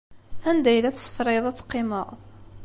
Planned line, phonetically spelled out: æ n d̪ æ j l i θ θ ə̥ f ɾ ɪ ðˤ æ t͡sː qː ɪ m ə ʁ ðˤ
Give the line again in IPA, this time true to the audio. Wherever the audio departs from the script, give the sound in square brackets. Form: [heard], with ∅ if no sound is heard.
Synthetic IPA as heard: æ n d̪ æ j l [æ] θ [s] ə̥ f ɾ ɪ ðˤ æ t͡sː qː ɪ m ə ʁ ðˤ